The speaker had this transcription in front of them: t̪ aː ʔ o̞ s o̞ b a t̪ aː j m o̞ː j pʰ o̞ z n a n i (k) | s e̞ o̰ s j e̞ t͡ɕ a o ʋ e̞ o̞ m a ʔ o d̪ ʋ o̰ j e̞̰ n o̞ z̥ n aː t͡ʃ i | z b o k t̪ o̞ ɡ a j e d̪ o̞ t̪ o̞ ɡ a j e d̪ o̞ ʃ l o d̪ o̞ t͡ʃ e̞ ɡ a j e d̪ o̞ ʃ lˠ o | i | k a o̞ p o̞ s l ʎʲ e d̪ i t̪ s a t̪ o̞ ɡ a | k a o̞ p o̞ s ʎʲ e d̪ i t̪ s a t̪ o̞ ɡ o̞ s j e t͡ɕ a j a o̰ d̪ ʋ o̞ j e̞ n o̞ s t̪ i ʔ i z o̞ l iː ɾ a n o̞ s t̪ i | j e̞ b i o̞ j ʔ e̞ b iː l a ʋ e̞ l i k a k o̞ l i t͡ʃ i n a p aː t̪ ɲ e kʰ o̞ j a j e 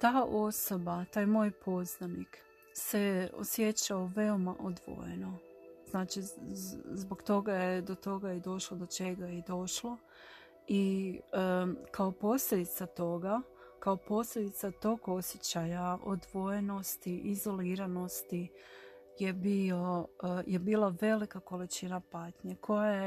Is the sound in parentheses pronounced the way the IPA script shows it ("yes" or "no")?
yes